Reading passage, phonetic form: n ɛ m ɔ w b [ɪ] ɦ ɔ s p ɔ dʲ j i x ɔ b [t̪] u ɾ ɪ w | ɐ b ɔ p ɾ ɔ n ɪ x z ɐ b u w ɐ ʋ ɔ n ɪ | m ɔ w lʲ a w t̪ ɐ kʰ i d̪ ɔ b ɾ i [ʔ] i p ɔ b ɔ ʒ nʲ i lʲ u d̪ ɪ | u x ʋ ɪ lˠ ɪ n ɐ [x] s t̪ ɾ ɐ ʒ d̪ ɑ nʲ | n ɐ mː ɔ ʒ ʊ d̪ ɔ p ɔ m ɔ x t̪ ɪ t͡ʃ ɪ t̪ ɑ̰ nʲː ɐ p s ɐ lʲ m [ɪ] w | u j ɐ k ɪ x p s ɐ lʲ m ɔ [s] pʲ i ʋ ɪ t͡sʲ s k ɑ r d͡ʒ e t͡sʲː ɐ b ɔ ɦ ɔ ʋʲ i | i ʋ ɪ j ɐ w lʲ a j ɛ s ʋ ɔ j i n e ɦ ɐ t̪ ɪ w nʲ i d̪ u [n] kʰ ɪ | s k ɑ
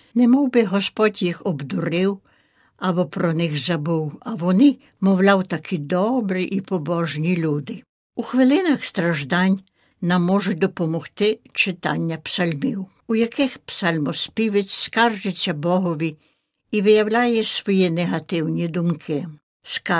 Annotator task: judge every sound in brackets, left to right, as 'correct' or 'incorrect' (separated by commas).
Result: correct, incorrect, correct, correct, incorrect, correct, incorrect